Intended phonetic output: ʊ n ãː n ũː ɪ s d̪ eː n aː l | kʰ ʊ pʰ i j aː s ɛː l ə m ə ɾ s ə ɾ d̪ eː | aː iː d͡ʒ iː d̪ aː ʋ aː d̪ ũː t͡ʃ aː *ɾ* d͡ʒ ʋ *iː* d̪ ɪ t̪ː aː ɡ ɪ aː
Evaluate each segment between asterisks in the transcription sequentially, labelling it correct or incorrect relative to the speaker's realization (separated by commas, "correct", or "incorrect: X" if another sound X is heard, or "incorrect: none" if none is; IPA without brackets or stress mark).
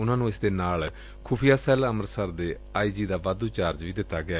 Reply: correct, correct